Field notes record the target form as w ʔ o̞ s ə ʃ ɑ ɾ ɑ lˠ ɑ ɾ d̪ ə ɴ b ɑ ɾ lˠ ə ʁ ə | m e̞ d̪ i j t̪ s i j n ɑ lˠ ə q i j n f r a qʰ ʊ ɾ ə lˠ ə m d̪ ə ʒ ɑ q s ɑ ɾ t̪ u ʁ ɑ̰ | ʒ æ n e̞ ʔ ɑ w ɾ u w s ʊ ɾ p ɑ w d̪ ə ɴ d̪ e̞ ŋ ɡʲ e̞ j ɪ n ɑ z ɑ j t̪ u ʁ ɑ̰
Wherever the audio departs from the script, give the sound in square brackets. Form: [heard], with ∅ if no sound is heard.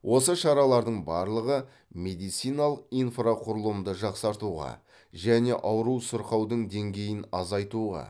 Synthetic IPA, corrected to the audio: w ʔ o̞ s ə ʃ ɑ ɾ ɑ lˠ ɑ ɾ d̪ ə ɴ b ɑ ɾ lˠ ə ʁ ə | m e̞ d̪ i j t̪ s i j n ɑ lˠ ə q i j n f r a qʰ ʊ ɾ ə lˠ ə m d̪ ə ʒ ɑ q s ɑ ɾ t̪ u ʁ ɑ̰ | ʒ æ n e̞ ʔ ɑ w ɾ u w s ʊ ɾ [q] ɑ w d̪ ə ɴ d̪ e̞ ŋ ɡʲ e̞ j ɪ n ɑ z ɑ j t̪ u ʁ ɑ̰